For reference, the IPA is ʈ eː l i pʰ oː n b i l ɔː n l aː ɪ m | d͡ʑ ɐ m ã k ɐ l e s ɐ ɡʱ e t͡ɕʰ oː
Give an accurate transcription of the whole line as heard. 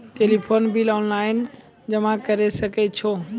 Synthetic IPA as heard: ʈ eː l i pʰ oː n b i l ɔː n l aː ɪ n | d͡ʑ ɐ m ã k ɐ ɾ e s ɐ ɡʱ e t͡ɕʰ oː